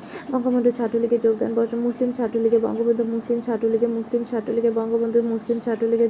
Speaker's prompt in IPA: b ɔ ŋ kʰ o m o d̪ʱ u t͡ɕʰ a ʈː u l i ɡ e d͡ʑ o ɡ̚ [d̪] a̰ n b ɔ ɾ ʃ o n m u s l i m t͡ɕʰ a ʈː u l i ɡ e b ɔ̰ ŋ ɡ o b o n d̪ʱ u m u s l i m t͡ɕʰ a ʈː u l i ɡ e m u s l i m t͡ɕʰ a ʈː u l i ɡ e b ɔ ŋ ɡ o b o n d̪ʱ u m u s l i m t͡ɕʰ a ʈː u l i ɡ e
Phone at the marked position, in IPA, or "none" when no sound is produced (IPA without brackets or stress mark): d̪